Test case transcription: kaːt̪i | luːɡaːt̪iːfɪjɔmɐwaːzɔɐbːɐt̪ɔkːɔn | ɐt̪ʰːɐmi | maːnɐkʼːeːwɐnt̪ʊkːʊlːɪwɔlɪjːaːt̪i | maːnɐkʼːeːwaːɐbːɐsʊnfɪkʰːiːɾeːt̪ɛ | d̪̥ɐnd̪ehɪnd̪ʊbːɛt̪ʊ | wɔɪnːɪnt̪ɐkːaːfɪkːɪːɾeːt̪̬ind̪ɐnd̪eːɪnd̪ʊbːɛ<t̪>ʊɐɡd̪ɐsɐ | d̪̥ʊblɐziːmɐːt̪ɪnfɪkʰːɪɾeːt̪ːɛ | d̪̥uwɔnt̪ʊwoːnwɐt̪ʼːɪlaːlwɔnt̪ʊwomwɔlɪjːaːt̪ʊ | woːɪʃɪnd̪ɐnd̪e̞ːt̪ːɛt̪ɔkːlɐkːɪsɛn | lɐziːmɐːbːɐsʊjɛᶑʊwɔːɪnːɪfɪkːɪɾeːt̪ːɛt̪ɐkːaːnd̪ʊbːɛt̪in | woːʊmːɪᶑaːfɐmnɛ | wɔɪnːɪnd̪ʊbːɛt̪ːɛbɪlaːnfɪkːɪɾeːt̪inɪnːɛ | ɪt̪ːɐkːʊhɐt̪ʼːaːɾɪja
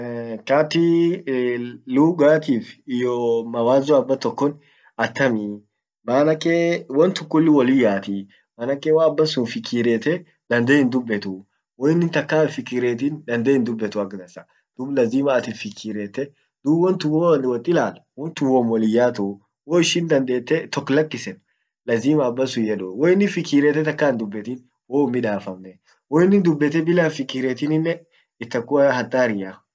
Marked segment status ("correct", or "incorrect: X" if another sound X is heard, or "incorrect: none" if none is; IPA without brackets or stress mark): correct